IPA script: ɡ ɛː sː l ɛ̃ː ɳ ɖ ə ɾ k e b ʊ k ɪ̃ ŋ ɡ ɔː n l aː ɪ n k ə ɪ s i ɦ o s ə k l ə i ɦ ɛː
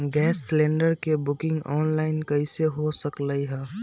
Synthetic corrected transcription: ɡ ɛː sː l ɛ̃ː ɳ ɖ ə ɾ k e b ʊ k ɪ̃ ŋ ɡ ɔː n l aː ɪ n k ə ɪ s e ɦ o s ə k l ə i ɦ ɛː

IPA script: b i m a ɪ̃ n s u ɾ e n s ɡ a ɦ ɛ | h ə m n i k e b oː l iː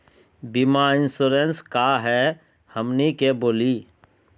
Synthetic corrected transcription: b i m a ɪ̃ n s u ɾ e n s k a ɦ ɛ | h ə m n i k e b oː l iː

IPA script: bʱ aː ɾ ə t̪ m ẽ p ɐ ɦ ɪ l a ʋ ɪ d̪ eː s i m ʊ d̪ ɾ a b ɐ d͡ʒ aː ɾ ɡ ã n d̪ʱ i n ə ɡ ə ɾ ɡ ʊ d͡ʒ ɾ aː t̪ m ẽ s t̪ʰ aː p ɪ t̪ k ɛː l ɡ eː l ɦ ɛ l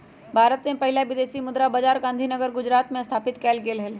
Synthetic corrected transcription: bʱ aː ɾ ə t̪ m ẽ p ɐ ɦ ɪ l a ʋ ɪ d̪ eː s i m ʊ d̪ ɾ a b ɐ d͡ʒ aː ɾ ɡ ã n d̪ʱ i n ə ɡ ə ɾ ɡ ʊ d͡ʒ ɾ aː t̪ m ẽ s t̪ʰ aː p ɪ t̪ k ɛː l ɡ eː l ɦ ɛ l

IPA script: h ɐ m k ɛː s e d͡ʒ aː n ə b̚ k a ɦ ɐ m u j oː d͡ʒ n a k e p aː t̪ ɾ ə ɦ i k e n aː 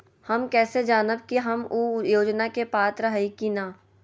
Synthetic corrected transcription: h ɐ m k ɛː s e d͡ʒ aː n ə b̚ k i ɦ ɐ m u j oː d͡ʒ n a k e p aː t̪ ɾ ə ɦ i k i n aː

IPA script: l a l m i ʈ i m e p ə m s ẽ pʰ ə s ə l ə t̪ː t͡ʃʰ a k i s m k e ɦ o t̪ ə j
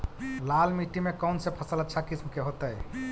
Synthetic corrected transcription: l a l m i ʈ i m e k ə n s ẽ pʰ ə s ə l ə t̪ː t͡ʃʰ a k i s m k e ɦ o t̪ ə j

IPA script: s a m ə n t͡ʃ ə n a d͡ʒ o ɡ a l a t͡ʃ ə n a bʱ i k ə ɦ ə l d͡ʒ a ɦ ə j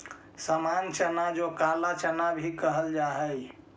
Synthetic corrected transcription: s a m a n t͡ʃ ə n a d͡ʒ o k a l a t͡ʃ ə n a bʱ i k ə ɦ ə l d͡ʒ a ɦ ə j

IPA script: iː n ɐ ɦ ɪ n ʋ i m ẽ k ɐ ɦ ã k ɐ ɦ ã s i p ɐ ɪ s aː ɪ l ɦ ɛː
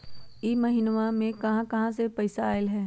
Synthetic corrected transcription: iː m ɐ ɦ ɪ n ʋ a m ẽ k ɐ ɦ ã k ɐ ɦ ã s e p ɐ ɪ s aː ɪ l ɦ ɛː

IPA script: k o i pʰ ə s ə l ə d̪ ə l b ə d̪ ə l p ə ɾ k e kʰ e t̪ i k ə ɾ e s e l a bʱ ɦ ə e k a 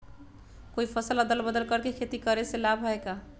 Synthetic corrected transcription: k o i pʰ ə s ə l ə d̪ ə l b ə d̪ ə l k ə ɾ k e kʰ e t̪ i k ə ɾ e s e l a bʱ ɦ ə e k a

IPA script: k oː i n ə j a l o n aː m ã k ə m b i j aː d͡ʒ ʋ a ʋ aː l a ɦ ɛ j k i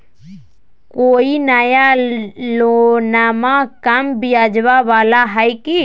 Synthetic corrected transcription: k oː i n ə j a l o n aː m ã k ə m b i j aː d͡ʒ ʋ a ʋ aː l a ɦ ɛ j k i

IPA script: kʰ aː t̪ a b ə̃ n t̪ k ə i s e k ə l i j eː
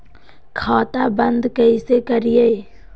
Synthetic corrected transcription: kʰ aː t̪ a b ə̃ n d̪ k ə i s e k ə ɾ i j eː

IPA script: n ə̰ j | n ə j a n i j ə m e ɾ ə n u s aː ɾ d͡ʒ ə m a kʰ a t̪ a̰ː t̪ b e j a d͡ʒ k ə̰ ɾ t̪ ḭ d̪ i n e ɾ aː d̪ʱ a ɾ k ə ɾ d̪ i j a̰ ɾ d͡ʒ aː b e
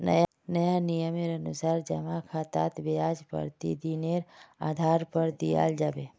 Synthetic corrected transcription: n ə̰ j | n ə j a n i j ə m e ɾ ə n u s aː ɾ d͡ʒ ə m a kʰ a t̪ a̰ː t̪ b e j a d͡ʒ p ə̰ ɾ t̪ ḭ d̪ i n e ɾ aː d̪ʱ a ɾ p ə ɾ d̪ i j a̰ l d͡ʒ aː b e

